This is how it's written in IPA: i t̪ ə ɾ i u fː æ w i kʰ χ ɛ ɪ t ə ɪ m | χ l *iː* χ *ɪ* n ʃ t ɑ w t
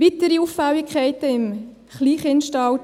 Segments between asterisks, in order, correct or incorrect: correct, correct

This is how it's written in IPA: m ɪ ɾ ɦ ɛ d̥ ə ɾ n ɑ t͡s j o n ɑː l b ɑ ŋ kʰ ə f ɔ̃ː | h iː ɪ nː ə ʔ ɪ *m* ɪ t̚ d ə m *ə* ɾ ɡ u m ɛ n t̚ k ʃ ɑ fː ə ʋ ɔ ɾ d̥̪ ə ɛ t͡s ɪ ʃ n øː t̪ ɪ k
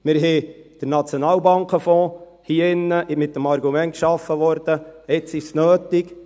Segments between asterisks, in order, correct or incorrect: correct, incorrect

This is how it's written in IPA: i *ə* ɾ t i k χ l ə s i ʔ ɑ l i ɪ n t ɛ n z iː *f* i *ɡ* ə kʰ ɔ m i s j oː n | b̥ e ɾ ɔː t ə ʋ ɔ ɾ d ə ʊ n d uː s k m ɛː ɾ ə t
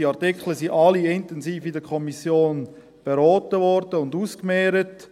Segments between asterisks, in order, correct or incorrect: incorrect, correct, incorrect

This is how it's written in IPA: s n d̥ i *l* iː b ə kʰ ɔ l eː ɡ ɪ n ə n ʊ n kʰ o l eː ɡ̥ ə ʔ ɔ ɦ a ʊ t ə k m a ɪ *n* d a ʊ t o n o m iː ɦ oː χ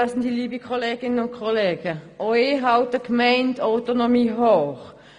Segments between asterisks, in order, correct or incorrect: correct, correct

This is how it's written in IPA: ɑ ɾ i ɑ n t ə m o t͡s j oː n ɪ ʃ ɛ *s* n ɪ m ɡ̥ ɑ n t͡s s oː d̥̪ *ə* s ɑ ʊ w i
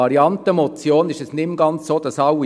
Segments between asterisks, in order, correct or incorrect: correct, incorrect

